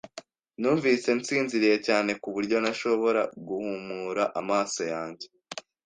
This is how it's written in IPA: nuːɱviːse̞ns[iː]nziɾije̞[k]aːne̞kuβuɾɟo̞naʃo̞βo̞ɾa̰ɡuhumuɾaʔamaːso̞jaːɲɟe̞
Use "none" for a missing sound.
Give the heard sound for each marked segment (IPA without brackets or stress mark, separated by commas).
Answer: iː, c